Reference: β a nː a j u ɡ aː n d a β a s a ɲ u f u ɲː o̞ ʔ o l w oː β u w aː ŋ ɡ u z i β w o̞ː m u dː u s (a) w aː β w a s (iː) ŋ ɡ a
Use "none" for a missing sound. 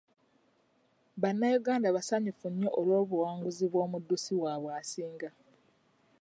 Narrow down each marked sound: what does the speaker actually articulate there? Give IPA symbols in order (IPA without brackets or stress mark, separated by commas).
i, iː